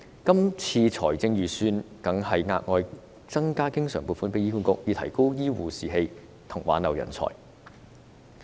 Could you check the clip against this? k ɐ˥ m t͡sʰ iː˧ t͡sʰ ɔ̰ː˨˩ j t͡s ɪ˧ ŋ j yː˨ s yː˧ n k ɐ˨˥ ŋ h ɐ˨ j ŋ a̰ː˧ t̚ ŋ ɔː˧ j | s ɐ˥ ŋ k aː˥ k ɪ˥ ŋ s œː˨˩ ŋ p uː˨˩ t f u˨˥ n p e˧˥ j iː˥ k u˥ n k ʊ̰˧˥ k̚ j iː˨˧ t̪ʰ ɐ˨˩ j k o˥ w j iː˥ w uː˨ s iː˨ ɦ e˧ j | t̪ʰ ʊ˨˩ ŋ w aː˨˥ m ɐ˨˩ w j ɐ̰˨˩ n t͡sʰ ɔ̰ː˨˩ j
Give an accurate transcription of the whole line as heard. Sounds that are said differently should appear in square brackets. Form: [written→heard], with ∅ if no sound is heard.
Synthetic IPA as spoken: k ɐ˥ m t͡sʰ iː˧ t͡sʰ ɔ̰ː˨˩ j t͡s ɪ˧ ŋ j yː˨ s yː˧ n k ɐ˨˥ ŋ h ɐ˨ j ŋ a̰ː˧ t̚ ŋ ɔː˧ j | [s→t͡s] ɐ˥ ŋ k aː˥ k ɪ˥ ŋ s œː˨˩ ŋ p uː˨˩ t f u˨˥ n p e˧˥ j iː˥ k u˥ n k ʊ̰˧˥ k̚ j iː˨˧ t̪ʰ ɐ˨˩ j k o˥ w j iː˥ w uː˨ s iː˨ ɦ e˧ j | t̪ʰ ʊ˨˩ ŋ w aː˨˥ [m→n] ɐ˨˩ w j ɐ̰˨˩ n t͡sʰ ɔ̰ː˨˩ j